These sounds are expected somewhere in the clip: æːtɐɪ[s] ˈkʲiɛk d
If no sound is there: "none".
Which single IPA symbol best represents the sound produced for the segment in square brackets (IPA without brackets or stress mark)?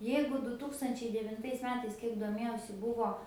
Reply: s